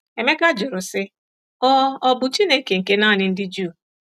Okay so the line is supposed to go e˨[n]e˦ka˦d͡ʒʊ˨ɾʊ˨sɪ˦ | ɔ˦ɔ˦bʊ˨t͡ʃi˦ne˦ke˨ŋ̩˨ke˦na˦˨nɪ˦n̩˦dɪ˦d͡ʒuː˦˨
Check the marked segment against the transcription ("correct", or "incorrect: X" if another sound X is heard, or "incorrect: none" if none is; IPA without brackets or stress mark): incorrect: m